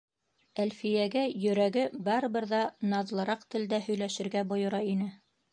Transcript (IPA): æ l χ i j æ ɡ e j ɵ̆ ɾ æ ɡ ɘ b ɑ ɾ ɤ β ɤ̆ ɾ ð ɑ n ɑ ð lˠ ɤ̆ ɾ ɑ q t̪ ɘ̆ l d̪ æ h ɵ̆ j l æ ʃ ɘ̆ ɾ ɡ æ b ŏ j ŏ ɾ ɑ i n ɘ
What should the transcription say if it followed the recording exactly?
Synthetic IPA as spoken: æ l f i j æ ɡ æ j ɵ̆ ɾ æ ɡ ɘ b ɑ ɾ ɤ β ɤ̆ ɾ ð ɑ n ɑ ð lˠ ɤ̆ ɾ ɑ q t̪ ɘ̆ l d̪ æ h ɵ̆ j l æ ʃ ɘ̆ ɾ ɡ æ b ŏ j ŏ ɾ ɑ i n ɘ